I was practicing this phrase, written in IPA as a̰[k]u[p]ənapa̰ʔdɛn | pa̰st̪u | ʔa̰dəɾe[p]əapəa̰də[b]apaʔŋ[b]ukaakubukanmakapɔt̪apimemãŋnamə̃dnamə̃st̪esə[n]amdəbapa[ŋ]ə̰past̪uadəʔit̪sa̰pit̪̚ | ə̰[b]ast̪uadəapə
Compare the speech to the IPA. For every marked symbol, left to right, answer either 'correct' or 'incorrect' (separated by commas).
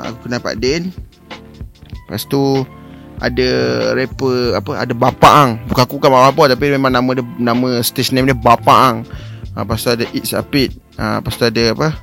correct, incorrect, correct, correct, correct, correct, correct, incorrect